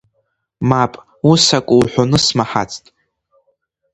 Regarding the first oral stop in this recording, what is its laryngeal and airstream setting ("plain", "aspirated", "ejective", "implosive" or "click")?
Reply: ejective